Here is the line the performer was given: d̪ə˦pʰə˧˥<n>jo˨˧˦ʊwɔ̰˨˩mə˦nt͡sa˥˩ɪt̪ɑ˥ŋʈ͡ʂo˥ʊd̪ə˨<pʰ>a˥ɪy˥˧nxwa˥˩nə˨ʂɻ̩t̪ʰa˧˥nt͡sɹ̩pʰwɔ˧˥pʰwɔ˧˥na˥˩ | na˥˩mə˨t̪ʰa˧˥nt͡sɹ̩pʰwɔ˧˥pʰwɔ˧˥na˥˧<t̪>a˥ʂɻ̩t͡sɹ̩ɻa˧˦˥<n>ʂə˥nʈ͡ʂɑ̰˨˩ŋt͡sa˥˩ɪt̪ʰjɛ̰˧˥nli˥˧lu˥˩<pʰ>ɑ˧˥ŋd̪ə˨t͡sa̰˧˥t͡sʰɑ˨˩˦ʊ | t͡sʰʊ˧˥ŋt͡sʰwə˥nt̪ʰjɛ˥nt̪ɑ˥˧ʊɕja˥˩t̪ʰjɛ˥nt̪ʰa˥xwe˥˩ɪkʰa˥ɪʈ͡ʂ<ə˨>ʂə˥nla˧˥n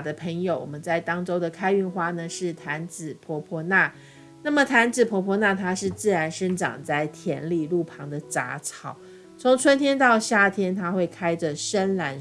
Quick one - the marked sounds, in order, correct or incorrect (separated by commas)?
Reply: incorrect, incorrect, incorrect, correct, correct, correct